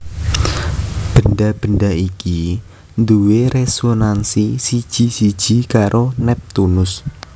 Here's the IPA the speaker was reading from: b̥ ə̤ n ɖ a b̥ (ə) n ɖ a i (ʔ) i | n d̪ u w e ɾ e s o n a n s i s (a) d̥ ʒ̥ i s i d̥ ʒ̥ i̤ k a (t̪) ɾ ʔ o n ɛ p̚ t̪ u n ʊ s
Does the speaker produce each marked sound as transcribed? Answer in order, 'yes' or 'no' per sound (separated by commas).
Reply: yes, no, no, no